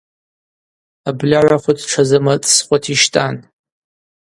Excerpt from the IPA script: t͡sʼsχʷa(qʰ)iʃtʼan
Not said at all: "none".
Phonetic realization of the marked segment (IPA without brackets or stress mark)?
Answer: tʰ